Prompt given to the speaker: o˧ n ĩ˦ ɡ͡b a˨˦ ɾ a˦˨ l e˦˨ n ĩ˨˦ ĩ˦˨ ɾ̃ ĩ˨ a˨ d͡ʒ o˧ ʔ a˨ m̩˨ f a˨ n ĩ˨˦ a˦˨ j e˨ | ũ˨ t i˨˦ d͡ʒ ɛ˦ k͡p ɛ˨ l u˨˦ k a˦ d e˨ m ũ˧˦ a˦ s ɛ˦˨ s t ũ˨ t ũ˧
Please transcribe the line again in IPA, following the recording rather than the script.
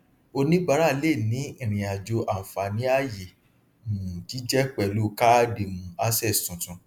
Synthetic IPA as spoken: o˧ n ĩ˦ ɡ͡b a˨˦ ɾ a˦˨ l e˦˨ n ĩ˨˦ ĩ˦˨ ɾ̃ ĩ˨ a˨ d͡ʒ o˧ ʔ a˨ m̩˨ f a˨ n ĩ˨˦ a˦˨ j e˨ | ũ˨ t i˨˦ d͡ʒ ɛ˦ k͡p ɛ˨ l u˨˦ k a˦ d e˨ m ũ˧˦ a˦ s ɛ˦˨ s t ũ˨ t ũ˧

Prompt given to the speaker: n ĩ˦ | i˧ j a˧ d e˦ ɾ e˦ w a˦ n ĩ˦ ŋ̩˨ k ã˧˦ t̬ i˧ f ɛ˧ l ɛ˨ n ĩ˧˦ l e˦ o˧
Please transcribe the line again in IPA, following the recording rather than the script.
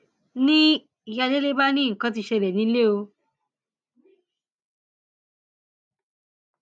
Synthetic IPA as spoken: n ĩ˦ | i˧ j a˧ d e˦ l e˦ b a˦ n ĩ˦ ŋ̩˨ k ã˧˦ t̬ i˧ ʃ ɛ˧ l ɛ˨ n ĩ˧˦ l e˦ o˧

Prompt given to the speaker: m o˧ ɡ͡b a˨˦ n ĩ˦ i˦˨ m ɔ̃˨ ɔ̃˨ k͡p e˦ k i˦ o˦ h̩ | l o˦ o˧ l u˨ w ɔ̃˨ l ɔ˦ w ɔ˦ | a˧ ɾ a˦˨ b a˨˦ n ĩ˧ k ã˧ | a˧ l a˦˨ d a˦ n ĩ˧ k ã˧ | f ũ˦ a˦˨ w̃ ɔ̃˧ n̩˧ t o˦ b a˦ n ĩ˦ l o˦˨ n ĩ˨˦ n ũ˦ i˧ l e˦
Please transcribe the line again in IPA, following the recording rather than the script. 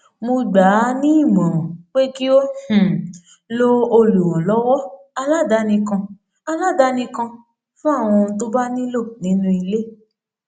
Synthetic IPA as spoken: m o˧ ɡ͡b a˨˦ n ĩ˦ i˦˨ m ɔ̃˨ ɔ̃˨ k͡p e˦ k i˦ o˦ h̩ | l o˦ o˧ l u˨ w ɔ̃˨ l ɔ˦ w ɔ˦ | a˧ l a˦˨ d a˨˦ n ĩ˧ k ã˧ | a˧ l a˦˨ d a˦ n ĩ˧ k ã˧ | f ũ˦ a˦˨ w̃ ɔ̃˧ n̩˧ t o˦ b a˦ n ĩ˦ l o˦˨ n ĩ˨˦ n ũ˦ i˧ l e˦

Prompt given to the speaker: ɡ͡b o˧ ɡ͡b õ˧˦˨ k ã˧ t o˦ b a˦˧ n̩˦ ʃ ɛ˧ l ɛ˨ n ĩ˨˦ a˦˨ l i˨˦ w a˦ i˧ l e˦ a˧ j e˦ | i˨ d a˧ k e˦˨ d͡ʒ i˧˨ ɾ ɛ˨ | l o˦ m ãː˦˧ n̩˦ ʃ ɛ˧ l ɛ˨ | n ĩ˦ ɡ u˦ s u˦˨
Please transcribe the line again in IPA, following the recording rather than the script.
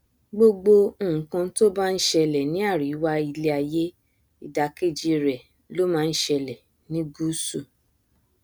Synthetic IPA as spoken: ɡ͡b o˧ ɡ͡b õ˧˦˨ k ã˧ t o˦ b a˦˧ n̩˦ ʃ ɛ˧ l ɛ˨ n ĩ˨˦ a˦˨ ɾ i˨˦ w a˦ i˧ l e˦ a˧ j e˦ | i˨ d a˧ k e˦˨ d͡ʒ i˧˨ ɾ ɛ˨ | l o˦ m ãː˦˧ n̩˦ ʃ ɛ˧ l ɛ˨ | n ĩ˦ ɡ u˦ s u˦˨

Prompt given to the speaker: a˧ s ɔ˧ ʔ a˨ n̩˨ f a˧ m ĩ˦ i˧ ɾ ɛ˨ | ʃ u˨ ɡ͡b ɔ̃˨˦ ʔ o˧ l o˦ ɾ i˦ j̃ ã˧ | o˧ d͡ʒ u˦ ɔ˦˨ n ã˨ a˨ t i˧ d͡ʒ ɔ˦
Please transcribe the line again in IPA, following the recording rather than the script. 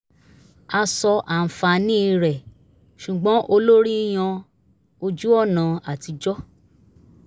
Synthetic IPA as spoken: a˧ s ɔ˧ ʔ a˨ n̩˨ f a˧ n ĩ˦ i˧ ɾ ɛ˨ | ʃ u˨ ɡ͡b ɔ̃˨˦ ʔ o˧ l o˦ ɾ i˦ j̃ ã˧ | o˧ d͡ʒ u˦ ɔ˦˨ n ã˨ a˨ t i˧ d͡ʒ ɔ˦

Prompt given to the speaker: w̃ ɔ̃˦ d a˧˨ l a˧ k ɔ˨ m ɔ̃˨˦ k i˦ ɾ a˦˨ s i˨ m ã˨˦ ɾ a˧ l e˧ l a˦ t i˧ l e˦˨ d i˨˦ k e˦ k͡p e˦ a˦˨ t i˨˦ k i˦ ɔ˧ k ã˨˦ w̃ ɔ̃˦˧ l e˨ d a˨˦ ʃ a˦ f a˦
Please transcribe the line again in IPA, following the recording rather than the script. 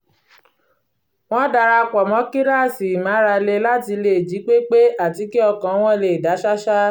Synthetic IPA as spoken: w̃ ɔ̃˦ d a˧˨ ɾ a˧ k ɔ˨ m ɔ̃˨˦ k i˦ ɾ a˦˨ s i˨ m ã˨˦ ɾ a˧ l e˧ l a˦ t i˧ l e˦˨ d͡ʒ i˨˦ k͡p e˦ k͡p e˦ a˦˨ t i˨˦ k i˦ ɔ˧ k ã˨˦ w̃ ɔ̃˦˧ l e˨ d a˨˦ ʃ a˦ ʃ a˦

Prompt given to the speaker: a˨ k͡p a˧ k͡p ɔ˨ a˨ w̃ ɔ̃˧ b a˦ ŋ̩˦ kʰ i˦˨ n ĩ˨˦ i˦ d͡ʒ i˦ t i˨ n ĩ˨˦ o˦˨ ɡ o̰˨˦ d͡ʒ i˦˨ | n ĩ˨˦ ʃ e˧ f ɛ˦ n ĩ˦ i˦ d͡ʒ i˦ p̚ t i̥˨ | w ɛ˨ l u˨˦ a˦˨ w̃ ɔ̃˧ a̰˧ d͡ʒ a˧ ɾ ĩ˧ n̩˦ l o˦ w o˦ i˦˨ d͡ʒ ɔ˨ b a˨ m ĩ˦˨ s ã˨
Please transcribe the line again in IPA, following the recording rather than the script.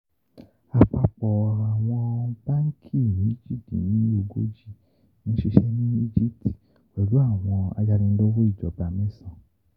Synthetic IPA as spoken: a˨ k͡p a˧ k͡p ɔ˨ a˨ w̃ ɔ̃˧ b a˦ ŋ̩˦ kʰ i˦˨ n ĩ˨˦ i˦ d͡ʒ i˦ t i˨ n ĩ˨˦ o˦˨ ɡ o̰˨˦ d͡ʒ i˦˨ | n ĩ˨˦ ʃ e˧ ʃ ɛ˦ n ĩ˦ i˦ d͡ʒ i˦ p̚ t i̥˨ | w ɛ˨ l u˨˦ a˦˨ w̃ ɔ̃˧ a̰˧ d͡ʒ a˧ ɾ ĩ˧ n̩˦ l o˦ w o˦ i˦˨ d͡ʒ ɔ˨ b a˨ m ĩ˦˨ s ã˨

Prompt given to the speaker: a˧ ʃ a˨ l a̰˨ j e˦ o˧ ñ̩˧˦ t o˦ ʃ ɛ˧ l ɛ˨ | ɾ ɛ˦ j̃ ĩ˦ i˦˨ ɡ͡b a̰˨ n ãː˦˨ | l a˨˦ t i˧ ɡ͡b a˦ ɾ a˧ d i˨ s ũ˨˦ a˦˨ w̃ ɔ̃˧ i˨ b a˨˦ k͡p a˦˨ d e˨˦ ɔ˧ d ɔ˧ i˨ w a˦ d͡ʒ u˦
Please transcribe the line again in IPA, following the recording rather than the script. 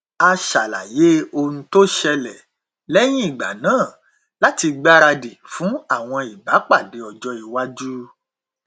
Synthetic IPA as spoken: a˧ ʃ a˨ l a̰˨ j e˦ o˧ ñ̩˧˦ t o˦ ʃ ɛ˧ l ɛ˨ | l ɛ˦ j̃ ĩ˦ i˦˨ ɡ͡b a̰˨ n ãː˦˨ | l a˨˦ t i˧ ɡ͡b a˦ ɾ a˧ d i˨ f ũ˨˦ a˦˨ w̃ ɔ̃˧ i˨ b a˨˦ k͡p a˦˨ d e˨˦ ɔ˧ d͡ʒ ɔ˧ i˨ w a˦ d͡ʒ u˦

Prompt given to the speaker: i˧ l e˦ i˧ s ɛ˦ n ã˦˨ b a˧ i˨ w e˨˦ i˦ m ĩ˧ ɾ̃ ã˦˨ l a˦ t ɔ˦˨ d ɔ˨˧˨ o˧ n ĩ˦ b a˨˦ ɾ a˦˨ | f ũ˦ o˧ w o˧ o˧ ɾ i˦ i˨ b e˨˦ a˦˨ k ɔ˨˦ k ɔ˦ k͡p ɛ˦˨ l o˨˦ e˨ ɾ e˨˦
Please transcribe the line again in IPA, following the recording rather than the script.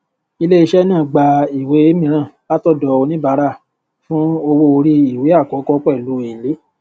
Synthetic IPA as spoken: i˧ l e˦ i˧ ʃ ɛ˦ n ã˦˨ ɡ͡b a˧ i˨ w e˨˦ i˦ m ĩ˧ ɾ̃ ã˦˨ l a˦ t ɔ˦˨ d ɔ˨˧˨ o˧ n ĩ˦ b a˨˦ ɾ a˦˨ | f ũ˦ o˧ w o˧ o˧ ɾ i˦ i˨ w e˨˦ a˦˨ k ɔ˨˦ k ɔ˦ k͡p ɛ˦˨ l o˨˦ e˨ l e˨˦

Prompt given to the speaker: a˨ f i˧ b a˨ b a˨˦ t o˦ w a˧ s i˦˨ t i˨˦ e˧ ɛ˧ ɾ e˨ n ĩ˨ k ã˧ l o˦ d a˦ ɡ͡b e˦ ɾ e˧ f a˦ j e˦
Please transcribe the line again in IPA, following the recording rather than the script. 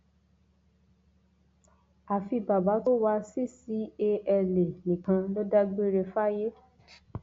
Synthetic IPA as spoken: a˨ f i˧ b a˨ b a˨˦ t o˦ w a˧ s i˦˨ s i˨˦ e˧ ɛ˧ l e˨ n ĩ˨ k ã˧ l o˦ d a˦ ɡ͡b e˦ ɾ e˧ f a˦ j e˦

